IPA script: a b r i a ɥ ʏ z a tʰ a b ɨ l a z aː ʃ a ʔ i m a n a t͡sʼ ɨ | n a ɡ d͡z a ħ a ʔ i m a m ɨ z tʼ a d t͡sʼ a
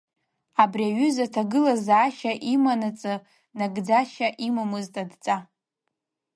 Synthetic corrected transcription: a b r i a ɥ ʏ z a tʰ a ɡ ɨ l a z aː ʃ a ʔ i m a n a t͡sʼ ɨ | n a ɡ d͡z a ʃ a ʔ i m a m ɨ z tʼ a d t͡sʼ a

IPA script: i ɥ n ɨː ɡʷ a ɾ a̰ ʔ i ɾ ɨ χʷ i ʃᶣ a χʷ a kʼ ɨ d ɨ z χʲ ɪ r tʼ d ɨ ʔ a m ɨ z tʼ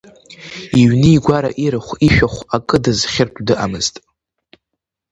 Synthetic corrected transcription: i ɥ n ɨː ɡʷ a ɾ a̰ ʔ i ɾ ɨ χʷ i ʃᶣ a χʷ a kʼ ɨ d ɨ z χʲ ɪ r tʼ d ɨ ʔ a m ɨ z tʼ

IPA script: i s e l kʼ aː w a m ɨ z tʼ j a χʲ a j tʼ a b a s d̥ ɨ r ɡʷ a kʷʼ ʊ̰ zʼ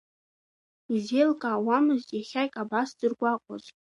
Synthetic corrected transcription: i z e l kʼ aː w a m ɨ z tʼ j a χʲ a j kʼ a b a s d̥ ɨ r ɡʷ a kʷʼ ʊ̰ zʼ

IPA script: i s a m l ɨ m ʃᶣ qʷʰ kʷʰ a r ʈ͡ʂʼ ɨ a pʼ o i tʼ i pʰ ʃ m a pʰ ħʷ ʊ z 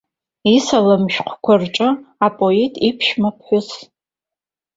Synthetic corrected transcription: i s a l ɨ m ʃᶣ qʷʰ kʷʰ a r ʈ͡ʂʼ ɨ a pʼ o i tʼ i pʰ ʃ m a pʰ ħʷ ʊ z

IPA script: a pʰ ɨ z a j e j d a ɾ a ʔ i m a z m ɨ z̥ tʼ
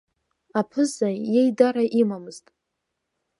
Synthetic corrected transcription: a pʰ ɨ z a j e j d a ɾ a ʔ i m a m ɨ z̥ tʼ

